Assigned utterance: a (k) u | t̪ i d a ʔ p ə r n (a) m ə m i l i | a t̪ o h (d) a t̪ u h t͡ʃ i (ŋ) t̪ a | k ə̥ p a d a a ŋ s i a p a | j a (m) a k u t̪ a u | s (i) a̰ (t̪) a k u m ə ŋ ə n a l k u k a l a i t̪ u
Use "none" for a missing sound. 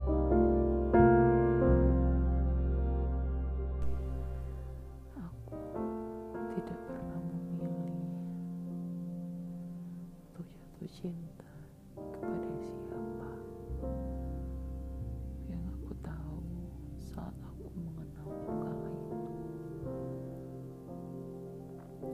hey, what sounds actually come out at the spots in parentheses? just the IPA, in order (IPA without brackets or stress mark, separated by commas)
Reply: k, a, d͡ʒ, n, ŋ, a, t̪